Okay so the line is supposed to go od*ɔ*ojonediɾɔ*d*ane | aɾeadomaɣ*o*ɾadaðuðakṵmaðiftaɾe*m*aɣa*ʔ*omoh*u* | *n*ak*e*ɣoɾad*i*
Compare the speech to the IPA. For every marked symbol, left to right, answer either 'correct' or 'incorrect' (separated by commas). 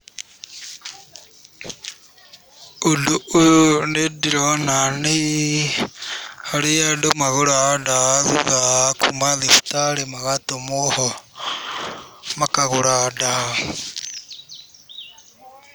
incorrect, incorrect, correct, correct, incorrect, incorrect, incorrect, incorrect, incorrect